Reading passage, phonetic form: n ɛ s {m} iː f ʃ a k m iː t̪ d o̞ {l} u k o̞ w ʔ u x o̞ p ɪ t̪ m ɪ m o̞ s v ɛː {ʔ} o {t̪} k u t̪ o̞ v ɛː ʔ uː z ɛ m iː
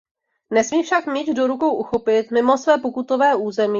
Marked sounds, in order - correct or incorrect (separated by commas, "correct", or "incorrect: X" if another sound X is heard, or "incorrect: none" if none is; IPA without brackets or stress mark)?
correct, incorrect: ɾ, incorrect: p, incorrect: none